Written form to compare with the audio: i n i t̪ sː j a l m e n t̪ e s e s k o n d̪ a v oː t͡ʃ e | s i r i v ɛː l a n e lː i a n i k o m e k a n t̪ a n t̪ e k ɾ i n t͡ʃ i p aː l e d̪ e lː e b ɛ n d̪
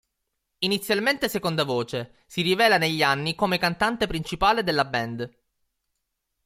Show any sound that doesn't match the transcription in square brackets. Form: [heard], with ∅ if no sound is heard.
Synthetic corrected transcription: i n i t̪ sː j a l m e n t̪ e s e [∅] k o n d̪ a v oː t͡ʃ e | s i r i v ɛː l a n e [ʎː] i a [nː] i k o m e k a n t̪ a n t̪ e [p] ɾ i n t͡ʃ i p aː l e d̪ e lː [a] b ɛ n d̪

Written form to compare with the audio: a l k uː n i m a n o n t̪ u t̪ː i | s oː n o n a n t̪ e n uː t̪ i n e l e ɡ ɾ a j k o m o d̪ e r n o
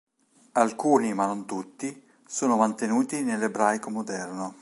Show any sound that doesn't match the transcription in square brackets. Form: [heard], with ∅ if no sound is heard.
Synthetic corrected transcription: a l k uː n i m a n o n t̪ u t̪ː i | s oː n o [m] a n t̪ e n uː t̪ i n e l e [b] ɾ a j k o m o d̪ [ɛ] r n o

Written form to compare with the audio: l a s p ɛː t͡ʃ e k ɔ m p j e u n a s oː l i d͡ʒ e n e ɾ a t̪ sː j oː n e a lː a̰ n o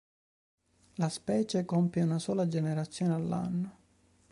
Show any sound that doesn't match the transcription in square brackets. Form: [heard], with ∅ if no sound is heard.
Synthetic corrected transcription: l a s p ɛː t͡ʃ e k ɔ m p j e u n a s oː l [a] d͡ʒ e n e ɾ a t̪ sː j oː n e a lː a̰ [nː] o

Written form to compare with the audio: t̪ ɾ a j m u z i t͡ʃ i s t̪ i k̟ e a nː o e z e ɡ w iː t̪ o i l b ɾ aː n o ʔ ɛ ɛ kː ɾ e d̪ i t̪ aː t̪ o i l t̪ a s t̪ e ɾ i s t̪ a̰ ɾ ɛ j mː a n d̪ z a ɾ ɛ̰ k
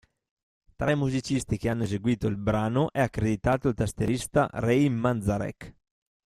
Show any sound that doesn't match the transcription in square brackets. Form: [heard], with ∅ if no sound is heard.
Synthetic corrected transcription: t̪ ɾ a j m u z i t͡ʃ i s t̪ i k̟ e a nː o e z e ɡ w iː t̪ o i l b ɾ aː n o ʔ ɛ [a] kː ɾ e d̪ i t̪ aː t̪ o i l t̪ a s t̪ e ɾ i s t̪ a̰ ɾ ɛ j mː a n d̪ z a ɾ ɛ̰ k

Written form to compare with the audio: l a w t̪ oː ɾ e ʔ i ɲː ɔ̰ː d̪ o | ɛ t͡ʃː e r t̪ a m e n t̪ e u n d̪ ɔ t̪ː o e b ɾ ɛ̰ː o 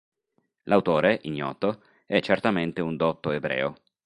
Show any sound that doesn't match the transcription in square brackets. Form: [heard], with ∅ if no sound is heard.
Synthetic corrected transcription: l a w t̪ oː ɾ e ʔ i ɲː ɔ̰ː [t̪] o | ɛ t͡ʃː e r t̪ a m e n t̪ e u n d̪ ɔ t̪ː o e b ɾ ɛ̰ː o

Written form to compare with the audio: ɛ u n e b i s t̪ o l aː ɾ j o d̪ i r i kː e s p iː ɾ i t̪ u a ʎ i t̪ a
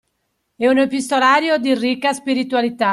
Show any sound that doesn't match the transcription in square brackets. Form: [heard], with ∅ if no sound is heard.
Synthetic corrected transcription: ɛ u n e [p] i s t̪ o l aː ɾ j o d̪ i r i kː [a] s p [i] ɾ i t̪ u a [l] i t̪ a

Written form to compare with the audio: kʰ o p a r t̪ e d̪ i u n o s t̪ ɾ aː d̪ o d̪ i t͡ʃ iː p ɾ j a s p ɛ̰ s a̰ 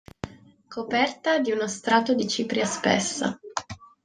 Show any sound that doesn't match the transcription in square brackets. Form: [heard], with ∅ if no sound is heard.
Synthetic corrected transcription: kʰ o p [ɛ] r t̪ [a] d̪ i u n o s t̪ ɾ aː [t̪] o d̪ i t͡ʃ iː p ɾ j a s p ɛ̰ [sː] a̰

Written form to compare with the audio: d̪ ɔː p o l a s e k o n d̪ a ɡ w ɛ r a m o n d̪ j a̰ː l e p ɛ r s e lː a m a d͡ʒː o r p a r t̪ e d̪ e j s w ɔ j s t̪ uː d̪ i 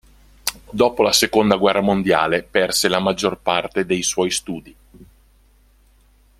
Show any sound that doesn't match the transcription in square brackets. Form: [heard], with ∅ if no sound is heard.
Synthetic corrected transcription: d̪ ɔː p o l a s e k o n d̪ a ɡ w ɛ [rː] a m o n d̪ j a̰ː l e p ɛ r s e [l] a m a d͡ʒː o r p a r t̪ e d̪ e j s w ɔ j s t̪ uː d̪ i

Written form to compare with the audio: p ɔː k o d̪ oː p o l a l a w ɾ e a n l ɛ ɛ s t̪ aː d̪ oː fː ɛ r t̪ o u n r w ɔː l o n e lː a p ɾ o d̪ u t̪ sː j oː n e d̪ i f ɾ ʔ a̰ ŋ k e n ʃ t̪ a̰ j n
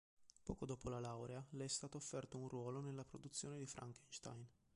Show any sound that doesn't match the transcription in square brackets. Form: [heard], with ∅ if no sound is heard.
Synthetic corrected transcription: p ɔː k o d̪ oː p o l a l a w ɾ e a [∅] l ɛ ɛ s t̪ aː [t̪] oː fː ɛ r t̪ o u n r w ɔː l o n e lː a p ɾ o d̪ u t̪ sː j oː n e d̪ i f ɾ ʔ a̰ ŋ k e n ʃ t̪ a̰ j n

